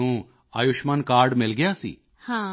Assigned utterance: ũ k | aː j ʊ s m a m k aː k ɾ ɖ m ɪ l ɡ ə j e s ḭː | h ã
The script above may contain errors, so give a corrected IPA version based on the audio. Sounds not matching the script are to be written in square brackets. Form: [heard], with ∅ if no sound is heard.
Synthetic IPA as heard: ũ [∅] | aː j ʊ [ʃ] m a [n] k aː [∅] ɾ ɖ m ɪ l ɡ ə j [a] s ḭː | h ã